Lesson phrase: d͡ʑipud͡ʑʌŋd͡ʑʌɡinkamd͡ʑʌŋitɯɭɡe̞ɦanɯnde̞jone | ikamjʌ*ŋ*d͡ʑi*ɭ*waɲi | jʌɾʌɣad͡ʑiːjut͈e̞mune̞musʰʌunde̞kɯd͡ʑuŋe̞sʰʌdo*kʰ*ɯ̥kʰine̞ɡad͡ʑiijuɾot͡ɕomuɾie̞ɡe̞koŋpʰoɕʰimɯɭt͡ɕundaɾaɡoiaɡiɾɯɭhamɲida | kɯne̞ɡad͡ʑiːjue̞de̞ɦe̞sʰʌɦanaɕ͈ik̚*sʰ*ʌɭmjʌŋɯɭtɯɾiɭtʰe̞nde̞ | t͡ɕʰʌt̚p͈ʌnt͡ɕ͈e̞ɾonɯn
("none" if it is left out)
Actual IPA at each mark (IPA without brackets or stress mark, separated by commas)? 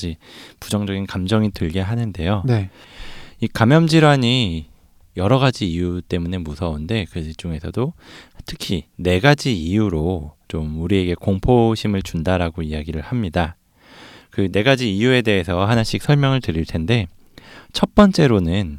m, ɾ, tʰ, sʰ